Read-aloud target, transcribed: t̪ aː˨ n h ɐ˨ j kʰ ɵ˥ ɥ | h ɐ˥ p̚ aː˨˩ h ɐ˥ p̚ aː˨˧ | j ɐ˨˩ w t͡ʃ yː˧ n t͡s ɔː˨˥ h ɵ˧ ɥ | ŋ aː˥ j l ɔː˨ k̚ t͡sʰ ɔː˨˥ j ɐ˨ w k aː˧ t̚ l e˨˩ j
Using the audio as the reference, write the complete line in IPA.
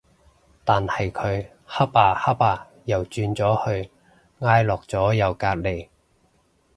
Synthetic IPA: t̪ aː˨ n h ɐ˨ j kʰ ɵ˨˧ ɥ | h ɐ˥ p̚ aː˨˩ h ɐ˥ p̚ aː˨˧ | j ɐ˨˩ w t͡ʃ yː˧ n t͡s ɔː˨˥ h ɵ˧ ɥ | ŋ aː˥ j l ɔː˨ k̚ t͡s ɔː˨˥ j ɐ˨ w k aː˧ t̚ l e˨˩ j